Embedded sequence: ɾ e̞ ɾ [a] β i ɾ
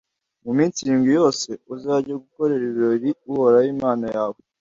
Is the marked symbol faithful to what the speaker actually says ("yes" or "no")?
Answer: no